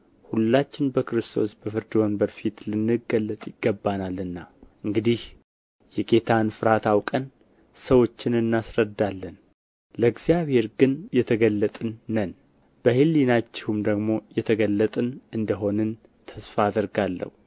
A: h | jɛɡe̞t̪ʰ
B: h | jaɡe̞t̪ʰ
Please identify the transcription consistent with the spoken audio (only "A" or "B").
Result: A